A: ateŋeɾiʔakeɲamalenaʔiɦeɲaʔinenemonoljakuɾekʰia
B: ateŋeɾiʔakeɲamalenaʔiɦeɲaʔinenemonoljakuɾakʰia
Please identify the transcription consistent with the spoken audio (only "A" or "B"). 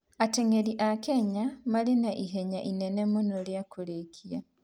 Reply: A